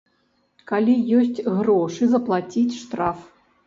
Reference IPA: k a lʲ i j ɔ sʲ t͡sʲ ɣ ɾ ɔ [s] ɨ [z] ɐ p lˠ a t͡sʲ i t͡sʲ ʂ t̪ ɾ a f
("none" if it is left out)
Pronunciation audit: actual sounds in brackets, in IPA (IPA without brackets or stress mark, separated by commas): ʂ, z